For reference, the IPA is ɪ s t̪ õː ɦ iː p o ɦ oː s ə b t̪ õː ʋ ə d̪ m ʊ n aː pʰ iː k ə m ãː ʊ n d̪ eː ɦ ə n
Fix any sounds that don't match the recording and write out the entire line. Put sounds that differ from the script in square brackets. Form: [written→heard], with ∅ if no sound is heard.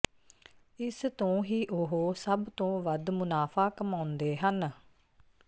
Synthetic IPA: ɪ s t̪ õː ɦ iː [p→ʔ] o ɦ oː s ə b t̪ õː ʋ ə d̪ m ʊ n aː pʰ [iː→aː] k ə m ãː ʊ n d̪ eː ɦ ə n